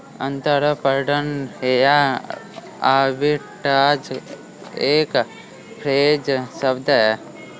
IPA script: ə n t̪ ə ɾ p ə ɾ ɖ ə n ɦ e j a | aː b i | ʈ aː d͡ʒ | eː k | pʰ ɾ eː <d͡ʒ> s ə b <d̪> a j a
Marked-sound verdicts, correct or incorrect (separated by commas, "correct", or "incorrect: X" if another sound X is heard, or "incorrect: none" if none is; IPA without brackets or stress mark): correct, correct